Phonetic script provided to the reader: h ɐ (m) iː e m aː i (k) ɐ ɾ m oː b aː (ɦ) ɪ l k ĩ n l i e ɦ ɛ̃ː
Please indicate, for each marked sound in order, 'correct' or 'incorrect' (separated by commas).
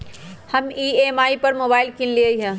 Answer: correct, incorrect, incorrect